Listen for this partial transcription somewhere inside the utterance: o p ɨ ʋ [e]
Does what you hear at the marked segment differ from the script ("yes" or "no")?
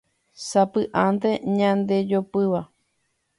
yes